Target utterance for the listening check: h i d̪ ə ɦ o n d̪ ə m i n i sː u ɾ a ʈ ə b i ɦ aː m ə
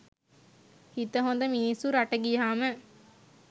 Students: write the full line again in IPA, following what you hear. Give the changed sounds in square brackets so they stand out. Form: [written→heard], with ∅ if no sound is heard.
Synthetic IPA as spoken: h i [d̪→t̪] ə ɦ o n d̪ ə m i n i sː u ɾ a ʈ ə [b→ɡ] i ɦ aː m ə